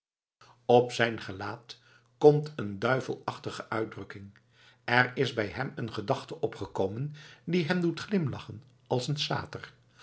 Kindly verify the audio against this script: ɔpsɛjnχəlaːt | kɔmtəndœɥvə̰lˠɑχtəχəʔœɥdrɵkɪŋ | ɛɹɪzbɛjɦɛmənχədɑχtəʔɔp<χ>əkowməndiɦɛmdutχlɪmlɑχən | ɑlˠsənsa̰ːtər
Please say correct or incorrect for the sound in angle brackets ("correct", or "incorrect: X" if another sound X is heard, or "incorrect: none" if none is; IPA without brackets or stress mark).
correct